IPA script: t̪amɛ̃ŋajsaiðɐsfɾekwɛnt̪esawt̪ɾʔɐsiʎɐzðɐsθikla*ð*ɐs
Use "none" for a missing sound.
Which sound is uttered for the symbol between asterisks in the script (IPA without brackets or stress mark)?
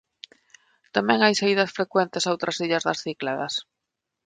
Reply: ð